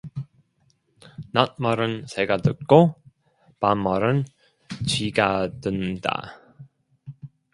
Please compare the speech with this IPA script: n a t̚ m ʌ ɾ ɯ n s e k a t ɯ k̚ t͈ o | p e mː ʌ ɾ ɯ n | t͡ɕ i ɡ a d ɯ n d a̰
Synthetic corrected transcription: n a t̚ m ʌ ɾ ɯ n s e ɡ a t ɯ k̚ k͈ o | p a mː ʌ ɾ ɯ n | t͡ɕ i ɡ a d ɯ n d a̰